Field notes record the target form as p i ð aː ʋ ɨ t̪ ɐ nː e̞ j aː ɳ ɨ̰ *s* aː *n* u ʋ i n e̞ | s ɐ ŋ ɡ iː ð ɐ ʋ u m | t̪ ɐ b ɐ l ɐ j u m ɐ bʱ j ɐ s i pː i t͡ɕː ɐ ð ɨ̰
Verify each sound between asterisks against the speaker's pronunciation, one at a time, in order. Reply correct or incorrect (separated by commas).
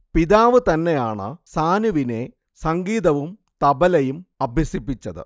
correct, correct